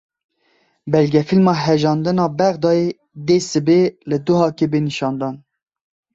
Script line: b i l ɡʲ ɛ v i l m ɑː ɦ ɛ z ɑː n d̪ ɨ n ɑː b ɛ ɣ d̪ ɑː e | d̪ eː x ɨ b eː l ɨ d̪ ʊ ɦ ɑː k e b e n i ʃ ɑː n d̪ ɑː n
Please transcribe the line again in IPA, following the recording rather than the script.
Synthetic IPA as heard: b ɛ l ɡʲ ɛ f i l m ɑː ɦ ɛ ʒ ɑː n d̪ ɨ n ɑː b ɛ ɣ d̪ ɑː e | d̪ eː s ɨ b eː l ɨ d̪ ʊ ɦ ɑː k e b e n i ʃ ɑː n d̪ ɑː n